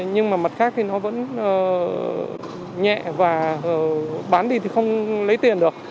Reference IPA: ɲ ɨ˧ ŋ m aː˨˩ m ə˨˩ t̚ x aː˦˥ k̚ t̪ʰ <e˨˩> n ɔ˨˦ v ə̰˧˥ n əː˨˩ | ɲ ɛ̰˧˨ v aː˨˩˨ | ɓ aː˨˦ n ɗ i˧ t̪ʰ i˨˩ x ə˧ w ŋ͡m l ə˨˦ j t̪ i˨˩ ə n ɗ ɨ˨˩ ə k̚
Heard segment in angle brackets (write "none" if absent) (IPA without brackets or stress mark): i˨˩